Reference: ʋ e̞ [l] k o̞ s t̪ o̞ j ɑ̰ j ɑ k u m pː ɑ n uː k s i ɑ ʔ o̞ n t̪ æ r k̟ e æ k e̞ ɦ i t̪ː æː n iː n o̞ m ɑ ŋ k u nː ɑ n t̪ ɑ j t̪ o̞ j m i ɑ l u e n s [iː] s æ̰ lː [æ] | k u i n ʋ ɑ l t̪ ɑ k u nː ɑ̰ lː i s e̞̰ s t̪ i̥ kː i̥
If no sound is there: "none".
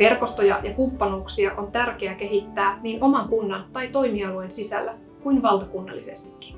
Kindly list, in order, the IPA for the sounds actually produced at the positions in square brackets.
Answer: r, i, æ

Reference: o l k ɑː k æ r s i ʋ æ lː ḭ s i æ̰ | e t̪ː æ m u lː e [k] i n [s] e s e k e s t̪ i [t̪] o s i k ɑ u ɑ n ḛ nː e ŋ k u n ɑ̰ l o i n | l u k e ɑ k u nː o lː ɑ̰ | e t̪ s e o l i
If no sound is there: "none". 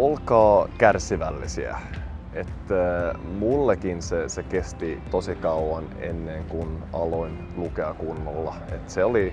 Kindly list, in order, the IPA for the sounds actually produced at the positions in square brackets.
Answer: k, s, t̪

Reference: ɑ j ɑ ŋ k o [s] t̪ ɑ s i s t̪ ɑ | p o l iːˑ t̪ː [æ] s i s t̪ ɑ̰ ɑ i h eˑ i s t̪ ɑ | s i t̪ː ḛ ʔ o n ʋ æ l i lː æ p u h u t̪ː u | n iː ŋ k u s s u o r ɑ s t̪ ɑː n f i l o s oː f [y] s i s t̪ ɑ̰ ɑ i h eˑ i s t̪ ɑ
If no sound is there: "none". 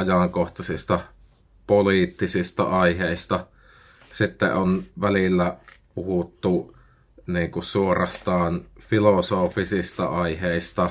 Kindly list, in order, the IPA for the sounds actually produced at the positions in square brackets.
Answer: h, i, i

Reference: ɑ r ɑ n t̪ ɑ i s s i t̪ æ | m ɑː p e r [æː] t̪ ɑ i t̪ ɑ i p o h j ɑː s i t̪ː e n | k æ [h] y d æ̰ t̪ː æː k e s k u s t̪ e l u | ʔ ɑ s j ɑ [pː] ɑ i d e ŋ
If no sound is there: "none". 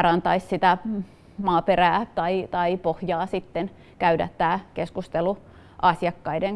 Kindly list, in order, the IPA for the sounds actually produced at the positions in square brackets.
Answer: æː, none, kː

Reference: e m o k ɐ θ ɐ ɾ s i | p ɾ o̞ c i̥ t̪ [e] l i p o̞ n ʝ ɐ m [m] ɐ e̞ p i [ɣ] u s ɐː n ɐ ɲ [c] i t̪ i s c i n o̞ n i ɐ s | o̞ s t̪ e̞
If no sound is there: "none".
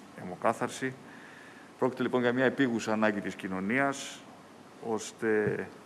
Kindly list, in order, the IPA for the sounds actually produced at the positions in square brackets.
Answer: e, ɲ, ɣ, ɟ

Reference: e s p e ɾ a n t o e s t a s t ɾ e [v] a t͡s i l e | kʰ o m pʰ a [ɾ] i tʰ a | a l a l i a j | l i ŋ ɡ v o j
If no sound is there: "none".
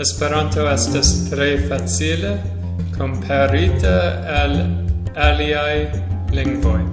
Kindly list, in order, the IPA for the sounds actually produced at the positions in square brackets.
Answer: f, ɾ

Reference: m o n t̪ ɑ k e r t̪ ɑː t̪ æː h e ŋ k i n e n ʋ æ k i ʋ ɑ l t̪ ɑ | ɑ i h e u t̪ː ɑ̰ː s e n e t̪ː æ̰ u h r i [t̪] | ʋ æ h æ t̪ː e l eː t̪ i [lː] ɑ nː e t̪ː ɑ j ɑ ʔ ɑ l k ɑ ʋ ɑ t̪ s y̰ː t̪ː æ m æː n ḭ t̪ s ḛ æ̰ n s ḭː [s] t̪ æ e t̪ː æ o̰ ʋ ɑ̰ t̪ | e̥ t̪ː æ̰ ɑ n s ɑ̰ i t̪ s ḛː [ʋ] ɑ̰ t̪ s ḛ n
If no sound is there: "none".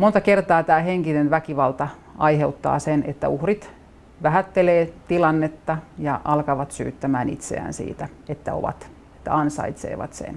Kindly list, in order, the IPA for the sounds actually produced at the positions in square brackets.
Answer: t̪, l, none, ʋ

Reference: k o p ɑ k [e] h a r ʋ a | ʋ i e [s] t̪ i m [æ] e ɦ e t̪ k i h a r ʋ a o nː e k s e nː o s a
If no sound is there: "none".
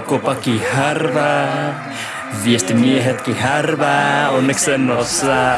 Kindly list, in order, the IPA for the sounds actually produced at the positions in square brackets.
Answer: i, s, i

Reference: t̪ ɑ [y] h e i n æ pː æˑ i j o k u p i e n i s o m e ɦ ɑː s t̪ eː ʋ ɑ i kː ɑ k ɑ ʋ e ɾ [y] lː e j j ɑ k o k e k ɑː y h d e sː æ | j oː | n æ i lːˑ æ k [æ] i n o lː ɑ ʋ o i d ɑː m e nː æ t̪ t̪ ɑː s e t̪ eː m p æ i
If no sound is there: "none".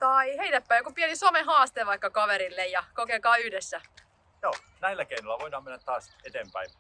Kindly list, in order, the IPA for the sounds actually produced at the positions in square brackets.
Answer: i, i, e

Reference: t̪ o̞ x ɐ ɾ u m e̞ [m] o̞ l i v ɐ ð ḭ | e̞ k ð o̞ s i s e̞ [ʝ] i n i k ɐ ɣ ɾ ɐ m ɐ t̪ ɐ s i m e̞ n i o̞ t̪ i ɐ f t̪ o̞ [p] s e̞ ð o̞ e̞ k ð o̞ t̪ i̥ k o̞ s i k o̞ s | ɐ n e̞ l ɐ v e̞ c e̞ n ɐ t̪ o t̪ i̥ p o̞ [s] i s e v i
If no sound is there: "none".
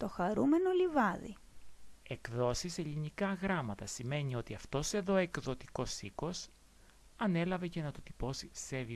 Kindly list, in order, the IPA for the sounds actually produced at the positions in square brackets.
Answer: n, ʎ, none, s

